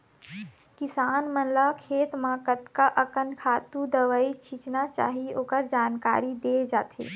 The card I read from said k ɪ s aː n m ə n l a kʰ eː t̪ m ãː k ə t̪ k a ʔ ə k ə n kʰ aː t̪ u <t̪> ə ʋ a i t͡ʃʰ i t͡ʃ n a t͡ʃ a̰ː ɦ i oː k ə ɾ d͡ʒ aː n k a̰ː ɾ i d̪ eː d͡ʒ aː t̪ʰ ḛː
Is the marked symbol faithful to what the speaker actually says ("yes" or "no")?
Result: no